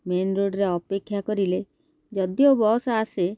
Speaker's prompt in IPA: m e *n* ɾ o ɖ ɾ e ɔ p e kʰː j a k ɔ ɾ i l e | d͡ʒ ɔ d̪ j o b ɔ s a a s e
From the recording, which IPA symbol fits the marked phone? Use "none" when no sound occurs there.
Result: n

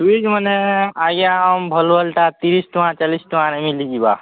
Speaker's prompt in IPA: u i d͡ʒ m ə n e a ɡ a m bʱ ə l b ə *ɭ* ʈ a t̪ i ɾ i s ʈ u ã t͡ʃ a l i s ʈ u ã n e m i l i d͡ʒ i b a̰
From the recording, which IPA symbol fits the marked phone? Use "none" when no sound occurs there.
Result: l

